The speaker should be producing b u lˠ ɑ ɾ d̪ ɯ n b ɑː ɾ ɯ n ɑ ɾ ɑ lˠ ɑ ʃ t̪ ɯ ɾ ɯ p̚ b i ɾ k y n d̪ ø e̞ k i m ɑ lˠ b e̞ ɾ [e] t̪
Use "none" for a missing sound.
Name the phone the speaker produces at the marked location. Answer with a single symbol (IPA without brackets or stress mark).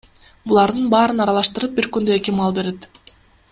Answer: e